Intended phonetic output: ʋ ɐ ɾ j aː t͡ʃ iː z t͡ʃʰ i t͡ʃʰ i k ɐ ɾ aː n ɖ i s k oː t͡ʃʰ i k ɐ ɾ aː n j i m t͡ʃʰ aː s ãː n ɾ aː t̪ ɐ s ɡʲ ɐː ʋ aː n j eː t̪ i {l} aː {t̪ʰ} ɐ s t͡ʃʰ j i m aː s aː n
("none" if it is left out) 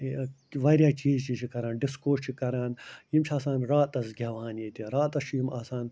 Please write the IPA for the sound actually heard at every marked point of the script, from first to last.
ɾ, t̪

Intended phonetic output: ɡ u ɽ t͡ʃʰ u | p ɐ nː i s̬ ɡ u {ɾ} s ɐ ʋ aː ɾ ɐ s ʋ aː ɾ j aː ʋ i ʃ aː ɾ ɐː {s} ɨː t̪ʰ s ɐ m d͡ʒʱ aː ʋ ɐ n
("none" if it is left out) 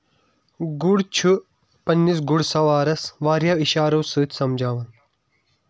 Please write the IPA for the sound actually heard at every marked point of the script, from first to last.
ɽ, s

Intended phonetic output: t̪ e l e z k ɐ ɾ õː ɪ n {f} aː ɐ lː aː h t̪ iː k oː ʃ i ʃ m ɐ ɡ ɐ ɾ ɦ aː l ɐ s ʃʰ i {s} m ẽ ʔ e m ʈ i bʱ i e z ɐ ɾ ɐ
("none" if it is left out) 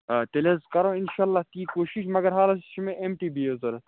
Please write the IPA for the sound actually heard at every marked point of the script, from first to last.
ʃ, none

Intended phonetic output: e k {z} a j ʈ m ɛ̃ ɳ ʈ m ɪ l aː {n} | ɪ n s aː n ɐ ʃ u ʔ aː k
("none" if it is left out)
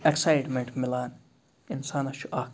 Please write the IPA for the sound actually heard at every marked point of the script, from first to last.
s, n

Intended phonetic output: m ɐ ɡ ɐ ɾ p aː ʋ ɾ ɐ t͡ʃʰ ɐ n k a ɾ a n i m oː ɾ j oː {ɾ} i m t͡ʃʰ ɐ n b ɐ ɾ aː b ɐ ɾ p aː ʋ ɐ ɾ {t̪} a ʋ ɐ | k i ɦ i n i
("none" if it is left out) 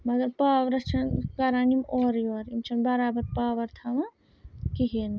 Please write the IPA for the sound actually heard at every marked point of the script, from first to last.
ɾ, t̪ʰ

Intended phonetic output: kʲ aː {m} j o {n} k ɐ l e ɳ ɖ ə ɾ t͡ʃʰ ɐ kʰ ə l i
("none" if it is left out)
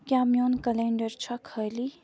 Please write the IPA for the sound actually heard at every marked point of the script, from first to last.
m, n

